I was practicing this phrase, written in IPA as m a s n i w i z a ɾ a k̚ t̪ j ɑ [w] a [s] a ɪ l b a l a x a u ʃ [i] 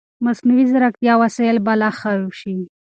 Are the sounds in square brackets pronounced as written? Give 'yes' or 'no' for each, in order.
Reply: yes, yes, yes

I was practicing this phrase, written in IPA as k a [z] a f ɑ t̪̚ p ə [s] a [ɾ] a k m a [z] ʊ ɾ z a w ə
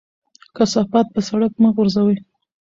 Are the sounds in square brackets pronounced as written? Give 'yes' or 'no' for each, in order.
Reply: no, yes, no, no

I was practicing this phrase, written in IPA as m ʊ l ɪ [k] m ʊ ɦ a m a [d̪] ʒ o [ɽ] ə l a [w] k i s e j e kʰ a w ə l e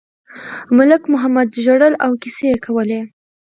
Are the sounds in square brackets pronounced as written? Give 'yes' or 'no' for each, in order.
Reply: yes, yes, yes, yes

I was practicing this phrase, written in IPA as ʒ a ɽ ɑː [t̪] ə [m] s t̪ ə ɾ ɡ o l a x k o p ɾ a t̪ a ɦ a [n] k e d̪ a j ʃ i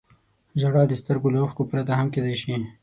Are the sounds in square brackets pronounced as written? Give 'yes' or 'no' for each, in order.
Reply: no, no, no

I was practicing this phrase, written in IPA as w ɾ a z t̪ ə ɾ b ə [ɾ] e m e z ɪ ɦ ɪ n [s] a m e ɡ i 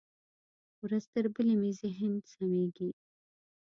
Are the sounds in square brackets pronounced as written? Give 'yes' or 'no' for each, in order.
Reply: no, yes

